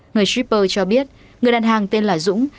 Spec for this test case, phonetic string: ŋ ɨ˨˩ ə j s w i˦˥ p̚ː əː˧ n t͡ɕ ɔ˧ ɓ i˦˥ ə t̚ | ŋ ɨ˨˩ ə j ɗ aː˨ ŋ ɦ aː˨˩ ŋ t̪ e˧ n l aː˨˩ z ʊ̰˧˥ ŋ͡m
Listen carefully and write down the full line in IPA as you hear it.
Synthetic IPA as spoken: ŋ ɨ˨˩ ə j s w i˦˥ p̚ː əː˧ t͡ɕ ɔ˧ ɓ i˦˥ ə t̚ | ŋ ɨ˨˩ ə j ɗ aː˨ n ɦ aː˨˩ ŋ t̪ e˧ n l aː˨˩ z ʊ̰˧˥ ŋ͡m